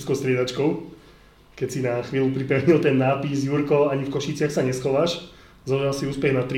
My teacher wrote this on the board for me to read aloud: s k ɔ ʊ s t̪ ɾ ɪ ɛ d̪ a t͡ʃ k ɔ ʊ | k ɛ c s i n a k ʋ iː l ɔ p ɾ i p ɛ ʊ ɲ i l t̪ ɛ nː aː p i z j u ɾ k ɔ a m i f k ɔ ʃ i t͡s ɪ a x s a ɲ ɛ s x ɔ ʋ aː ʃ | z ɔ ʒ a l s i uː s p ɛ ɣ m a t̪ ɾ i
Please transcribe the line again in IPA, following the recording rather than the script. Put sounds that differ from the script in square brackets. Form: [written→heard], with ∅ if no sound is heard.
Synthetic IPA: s k ɔ ʊ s t̪ ɾ ɪ ɛ d̪ a t͡ʃ k ɔ ʊ | k ɛ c s i n a [k→x] ʋ iː l [ɔ→u] p ɾ i p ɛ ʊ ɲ i l t̪ ɛ nː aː p i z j u ɾ k ɔ a [m→ɲ] i f k ɔ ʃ i t͡s ɪ a x s a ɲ ɛ s x ɔ ʋ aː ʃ | z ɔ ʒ a l s i uː s p ɛ ɣ [m→n] a t̪ ɾ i